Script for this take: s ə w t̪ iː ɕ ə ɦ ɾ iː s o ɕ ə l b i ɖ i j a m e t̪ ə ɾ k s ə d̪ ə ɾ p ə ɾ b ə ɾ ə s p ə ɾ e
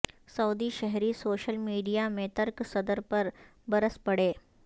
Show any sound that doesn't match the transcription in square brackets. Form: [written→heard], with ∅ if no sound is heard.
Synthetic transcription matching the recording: s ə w [t̪→d̪] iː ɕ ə ɦ ɾ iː s o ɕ ə l [b→m] i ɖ i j a m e t̪ ə ɾ k s ə d̪ ə ɾ p ə ɾ b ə ɾ ə s p ə [ɾ→ɽ] e